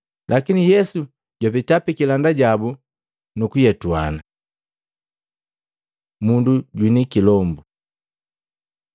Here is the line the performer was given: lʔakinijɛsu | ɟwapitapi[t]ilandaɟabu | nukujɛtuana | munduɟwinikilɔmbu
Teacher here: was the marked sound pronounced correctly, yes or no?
no